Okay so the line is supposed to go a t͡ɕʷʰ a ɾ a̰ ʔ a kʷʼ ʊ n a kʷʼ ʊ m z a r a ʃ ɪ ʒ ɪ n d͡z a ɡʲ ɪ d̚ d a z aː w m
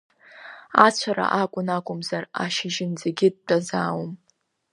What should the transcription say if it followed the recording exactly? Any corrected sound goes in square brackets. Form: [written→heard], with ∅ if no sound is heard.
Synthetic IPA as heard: a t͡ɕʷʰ a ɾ a̰ ʔ a kʷʼ ʊ n a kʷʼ ʊ m z a r a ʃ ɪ ʒ ɪ n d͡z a ɡʲ ɪ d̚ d a z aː w m